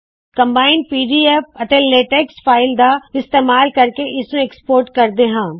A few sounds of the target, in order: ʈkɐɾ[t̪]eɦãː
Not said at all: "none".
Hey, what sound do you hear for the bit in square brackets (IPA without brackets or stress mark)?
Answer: d̪